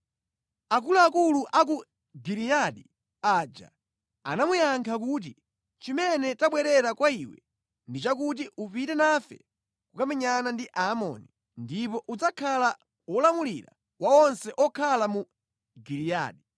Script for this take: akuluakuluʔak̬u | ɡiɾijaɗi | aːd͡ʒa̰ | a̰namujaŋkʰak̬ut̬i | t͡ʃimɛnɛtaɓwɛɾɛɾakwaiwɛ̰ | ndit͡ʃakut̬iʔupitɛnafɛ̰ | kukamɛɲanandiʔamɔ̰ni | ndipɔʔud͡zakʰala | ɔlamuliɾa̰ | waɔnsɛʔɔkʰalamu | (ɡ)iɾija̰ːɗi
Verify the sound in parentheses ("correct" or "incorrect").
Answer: correct